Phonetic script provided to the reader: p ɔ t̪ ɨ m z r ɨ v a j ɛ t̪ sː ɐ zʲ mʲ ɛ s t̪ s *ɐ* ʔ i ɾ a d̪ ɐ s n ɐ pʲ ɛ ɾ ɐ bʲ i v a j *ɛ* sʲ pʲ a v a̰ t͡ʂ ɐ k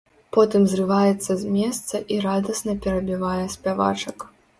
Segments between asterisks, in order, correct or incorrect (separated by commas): correct, correct